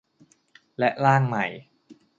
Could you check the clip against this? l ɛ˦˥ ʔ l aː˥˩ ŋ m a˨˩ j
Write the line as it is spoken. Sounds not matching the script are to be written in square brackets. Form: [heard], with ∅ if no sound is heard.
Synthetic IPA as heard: l ɛ˦˥ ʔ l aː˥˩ ŋ m a˨˩ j